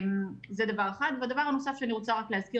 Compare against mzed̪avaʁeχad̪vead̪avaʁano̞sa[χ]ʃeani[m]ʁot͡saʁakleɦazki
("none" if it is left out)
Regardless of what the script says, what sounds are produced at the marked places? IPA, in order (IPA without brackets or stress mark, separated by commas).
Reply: f, none